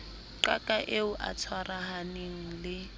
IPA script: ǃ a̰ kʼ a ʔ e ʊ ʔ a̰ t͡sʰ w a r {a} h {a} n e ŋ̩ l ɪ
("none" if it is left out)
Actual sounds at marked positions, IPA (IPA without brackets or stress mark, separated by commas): a, a